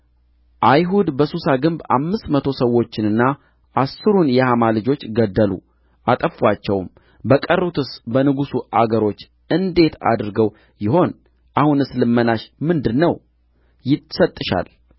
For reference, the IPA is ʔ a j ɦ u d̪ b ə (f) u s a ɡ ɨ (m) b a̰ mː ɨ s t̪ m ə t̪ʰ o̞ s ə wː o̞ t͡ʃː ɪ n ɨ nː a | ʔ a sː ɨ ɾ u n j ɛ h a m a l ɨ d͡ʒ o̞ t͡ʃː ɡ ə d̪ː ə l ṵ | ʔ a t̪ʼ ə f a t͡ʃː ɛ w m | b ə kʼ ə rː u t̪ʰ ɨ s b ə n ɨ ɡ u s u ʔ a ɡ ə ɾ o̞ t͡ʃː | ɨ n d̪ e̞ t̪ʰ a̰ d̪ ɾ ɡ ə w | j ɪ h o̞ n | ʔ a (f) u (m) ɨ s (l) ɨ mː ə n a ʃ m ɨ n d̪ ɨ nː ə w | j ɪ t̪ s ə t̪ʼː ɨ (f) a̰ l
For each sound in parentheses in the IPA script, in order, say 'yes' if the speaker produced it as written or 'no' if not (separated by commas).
no, yes, no, no, yes, no